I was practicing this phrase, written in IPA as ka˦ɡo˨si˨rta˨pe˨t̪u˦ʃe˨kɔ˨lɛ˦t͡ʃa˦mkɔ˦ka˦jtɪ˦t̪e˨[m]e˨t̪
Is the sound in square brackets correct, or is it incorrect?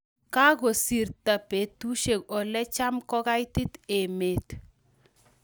correct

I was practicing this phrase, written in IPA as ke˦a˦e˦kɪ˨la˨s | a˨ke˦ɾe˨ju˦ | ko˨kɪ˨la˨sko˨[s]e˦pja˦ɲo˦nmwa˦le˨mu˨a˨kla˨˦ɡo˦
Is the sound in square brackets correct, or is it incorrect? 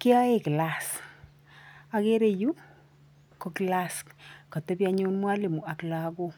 incorrect: t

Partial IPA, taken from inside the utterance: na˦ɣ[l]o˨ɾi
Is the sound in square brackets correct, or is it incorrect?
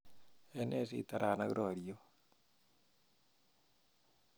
incorrect: ɾ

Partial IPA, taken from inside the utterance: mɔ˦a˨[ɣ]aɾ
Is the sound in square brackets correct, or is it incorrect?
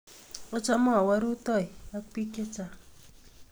incorrect: w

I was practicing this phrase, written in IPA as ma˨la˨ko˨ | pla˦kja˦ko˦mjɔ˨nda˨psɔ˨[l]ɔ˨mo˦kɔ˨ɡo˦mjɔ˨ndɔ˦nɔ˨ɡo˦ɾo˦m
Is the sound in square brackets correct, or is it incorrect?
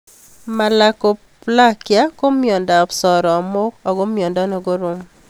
incorrect: ɾ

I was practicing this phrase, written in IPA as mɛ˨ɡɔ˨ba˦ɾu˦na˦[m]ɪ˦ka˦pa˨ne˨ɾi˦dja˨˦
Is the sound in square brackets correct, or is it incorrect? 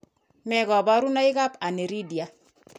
incorrect: none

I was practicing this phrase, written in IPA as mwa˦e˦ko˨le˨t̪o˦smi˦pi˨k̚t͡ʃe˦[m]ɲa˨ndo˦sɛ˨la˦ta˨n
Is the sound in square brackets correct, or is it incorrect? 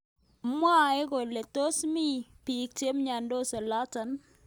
correct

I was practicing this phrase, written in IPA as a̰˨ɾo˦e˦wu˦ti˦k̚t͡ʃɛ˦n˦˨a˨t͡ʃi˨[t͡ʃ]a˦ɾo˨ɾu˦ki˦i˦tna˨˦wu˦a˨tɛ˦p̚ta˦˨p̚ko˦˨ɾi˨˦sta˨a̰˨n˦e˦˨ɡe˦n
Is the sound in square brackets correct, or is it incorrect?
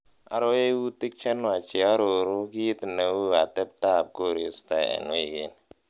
incorrect: none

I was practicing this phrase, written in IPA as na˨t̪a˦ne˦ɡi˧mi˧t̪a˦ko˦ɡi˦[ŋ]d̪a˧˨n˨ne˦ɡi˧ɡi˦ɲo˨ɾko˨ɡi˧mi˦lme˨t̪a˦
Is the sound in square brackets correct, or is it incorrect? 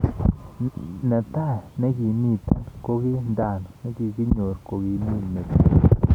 incorrect: n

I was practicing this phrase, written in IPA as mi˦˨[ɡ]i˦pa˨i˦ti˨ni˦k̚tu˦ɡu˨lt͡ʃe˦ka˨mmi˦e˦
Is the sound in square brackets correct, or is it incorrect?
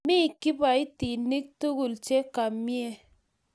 incorrect: k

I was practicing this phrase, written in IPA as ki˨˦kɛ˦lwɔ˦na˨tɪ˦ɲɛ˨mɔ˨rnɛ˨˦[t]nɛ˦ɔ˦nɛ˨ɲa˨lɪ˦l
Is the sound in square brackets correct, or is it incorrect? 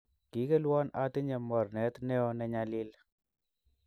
correct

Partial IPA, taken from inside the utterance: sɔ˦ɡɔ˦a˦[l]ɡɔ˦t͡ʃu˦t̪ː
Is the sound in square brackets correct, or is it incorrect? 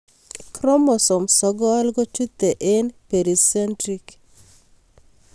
correct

